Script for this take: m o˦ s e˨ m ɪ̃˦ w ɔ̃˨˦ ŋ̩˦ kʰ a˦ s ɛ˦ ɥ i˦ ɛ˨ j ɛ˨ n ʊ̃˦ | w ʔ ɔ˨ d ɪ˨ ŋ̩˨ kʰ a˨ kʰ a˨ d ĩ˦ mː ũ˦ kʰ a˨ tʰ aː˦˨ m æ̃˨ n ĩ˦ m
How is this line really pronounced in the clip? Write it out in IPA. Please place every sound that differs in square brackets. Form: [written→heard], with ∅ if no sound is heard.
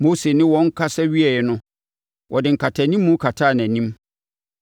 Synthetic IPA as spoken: m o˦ s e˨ [m→n] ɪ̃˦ w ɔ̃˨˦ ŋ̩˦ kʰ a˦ s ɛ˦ ɥ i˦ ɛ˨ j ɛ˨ n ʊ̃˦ | w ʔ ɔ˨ d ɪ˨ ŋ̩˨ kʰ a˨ [kʰ→tʰ] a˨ [d→n] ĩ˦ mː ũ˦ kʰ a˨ tʰ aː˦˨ [m→n] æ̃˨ n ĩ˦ m